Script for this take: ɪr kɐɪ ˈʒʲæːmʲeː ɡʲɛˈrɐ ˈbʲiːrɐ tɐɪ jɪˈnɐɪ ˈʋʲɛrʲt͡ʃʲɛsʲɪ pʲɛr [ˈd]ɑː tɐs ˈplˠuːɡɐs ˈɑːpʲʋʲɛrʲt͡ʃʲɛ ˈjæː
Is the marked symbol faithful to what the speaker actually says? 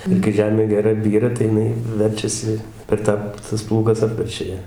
no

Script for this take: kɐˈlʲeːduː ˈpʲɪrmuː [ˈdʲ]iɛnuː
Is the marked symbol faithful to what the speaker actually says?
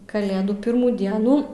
yes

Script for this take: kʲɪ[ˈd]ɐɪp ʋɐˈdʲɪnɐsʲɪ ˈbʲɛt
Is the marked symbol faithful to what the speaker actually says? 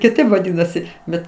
no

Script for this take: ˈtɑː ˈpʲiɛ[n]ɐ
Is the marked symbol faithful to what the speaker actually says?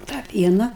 yes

